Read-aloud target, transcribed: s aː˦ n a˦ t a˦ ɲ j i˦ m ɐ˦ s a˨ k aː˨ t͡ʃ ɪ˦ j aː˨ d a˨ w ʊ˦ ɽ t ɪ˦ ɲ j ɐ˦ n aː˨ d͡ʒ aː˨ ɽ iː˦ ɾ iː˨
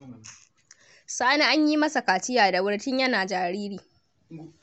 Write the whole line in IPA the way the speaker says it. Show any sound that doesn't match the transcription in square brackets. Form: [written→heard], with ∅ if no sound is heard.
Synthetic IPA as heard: s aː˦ n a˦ [t→ʔ] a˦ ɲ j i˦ m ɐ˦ s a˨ k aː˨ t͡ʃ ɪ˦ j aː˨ d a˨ w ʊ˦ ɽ t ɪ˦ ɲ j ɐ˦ n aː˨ d͡ʒ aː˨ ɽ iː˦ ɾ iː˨